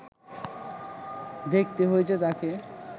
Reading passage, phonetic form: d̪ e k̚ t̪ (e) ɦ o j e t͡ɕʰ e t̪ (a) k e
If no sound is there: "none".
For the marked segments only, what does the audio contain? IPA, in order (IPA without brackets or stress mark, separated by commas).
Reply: e, a